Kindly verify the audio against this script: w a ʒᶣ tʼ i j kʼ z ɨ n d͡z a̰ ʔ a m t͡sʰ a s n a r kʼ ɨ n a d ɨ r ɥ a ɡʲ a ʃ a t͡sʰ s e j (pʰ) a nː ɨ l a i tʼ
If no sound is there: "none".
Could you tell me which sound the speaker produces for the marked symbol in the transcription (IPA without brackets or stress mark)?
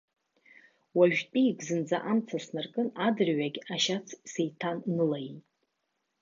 tʰ